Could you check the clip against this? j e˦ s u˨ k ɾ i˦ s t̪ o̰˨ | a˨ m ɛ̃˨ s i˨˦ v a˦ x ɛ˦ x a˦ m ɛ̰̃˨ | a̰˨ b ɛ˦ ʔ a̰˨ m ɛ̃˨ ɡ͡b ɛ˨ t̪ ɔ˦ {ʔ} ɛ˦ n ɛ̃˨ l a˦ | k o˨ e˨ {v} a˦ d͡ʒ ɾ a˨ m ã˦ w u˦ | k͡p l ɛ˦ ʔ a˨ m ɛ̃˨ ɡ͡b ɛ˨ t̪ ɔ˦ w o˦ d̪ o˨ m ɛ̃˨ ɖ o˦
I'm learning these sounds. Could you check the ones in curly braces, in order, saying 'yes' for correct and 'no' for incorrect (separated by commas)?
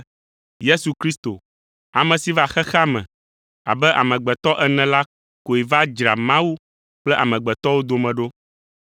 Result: yes, yes